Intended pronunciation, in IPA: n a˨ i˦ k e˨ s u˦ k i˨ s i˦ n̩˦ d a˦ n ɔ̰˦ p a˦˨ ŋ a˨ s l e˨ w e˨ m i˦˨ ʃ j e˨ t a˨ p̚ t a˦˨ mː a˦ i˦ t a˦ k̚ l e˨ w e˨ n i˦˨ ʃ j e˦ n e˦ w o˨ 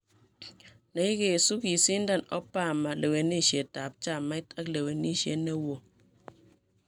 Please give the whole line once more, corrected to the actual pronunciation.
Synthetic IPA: n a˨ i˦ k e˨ s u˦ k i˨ s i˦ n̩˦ d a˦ n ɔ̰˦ p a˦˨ m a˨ l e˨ w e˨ n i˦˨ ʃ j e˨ t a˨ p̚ t͡ʃ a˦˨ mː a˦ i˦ t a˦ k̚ l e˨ w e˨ n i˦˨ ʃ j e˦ n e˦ w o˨